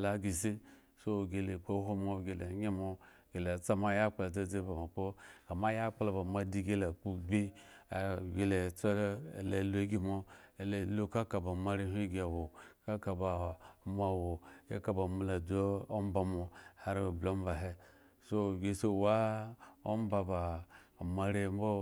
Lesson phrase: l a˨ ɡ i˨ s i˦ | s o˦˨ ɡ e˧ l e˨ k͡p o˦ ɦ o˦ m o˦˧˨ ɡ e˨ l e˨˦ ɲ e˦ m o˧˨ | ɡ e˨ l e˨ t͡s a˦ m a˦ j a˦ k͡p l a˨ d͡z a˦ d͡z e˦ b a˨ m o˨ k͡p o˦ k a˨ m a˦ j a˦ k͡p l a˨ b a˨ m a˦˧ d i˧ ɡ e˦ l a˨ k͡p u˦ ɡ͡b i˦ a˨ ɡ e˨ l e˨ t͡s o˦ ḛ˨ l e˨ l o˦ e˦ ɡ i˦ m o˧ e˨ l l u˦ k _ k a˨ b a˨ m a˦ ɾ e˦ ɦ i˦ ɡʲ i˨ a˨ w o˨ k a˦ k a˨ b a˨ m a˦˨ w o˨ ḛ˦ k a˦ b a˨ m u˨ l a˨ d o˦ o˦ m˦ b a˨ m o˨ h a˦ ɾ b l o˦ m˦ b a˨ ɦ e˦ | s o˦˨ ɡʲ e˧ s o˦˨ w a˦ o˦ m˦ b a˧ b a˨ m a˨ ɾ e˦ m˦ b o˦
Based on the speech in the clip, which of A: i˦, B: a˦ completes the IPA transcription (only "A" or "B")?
B